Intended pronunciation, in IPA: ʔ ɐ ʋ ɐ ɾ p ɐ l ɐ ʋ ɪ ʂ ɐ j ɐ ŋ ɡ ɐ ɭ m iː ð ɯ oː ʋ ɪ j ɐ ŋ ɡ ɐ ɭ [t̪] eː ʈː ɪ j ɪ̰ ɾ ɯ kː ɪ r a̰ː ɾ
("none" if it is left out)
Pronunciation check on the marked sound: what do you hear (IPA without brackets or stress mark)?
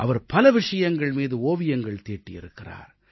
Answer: t̪